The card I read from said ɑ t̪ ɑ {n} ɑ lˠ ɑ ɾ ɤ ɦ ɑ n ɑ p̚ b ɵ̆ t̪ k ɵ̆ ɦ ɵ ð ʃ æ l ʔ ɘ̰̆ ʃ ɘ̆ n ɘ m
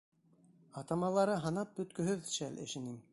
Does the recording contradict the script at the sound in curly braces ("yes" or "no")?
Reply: yes